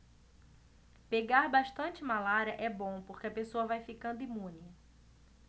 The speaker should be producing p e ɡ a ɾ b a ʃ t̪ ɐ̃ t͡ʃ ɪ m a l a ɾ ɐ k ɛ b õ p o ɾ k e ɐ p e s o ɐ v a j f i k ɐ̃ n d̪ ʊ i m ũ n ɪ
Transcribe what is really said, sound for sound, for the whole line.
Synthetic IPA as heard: p e ɡ a ɾ b a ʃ t̪ ɐ̃ t͡ʃ ɪ m a l a ɾ ɐ ʔ ɛ b õ p o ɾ k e ɐ p e s o ɐ v a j f i k ɐ̃ n d̪ ʊ i m ũ n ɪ